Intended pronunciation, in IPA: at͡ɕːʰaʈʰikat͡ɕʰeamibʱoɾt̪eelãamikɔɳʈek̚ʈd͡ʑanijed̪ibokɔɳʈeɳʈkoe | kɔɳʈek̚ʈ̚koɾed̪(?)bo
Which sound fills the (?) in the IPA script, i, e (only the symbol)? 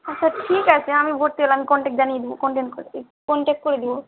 i